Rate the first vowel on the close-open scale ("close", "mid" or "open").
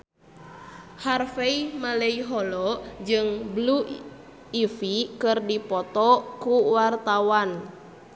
open